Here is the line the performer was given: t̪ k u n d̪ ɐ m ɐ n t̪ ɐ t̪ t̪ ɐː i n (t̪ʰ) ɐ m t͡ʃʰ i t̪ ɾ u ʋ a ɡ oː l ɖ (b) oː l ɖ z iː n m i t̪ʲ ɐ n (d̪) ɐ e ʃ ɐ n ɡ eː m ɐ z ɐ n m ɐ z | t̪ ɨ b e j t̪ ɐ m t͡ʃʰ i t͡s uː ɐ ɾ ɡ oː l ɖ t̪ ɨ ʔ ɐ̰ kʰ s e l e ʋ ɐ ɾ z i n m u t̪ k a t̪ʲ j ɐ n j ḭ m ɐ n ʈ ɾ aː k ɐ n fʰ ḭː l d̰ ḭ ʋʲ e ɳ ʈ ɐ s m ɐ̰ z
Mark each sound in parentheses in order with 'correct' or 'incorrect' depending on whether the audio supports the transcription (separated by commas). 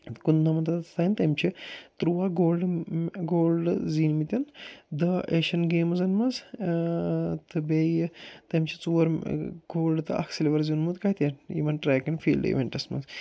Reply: incorrect, incorrect, correct